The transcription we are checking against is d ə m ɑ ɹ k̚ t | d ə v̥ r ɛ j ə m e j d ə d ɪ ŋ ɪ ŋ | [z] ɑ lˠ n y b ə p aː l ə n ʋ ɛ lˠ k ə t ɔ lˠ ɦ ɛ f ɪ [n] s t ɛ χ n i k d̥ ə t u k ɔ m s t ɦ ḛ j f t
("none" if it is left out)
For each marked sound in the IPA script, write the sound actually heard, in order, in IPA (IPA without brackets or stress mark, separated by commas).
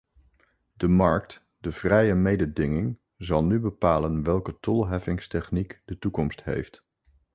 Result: z, ŋ